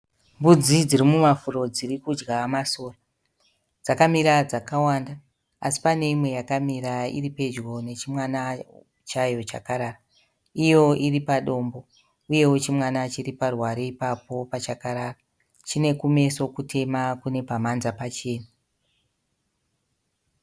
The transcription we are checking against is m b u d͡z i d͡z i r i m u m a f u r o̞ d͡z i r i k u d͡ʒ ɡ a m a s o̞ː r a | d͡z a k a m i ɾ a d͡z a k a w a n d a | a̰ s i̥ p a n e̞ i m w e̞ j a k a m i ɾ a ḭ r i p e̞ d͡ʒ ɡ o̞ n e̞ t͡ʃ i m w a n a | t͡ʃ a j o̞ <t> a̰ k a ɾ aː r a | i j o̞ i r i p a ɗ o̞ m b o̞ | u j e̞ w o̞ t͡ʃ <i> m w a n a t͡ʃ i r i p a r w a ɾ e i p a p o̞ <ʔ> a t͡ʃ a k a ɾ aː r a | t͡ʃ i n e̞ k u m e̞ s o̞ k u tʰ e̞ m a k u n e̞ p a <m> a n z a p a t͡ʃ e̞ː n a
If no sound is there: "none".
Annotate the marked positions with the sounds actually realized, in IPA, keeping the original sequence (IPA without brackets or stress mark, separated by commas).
t͡ʃ, i, p, m